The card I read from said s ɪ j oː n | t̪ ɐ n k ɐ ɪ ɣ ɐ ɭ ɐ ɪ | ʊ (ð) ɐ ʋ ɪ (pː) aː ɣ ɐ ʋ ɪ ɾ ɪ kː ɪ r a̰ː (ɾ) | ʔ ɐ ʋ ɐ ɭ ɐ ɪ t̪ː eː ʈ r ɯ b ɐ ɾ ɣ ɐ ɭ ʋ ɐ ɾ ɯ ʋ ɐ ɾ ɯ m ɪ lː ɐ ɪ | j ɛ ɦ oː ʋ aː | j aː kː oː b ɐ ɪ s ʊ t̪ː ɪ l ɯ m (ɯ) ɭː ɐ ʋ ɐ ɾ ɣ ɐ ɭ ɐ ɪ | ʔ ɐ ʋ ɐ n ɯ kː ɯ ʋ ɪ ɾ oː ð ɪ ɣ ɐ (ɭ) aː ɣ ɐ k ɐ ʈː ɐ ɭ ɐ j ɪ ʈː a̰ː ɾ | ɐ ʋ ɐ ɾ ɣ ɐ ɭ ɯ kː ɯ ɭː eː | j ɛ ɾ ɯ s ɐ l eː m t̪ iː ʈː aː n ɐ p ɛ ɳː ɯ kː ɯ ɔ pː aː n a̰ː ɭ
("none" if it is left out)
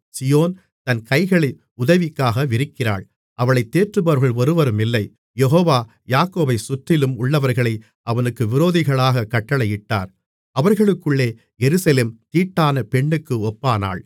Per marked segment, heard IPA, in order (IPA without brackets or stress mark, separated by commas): ð, kː, ɭ, ʊ, ɭ